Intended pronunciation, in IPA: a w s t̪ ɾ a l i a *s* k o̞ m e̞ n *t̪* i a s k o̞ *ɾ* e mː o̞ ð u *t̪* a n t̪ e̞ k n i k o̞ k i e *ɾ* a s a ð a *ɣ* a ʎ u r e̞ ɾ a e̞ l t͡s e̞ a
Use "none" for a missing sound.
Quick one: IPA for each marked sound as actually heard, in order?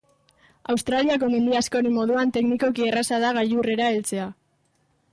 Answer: none, d̪, ɾ, none, r, ɣ

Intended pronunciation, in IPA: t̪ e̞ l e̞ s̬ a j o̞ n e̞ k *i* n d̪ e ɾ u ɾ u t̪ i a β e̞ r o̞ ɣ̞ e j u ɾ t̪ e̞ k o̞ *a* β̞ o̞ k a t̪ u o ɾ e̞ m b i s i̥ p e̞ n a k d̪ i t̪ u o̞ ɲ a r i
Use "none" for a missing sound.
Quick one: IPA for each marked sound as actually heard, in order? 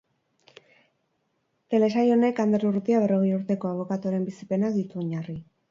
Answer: a, a

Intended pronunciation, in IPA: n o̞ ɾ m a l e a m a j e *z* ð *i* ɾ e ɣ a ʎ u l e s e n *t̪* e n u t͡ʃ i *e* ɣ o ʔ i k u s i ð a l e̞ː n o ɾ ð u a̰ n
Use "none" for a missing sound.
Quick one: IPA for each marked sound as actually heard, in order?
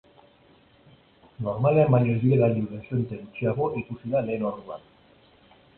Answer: z, i, t̪, a

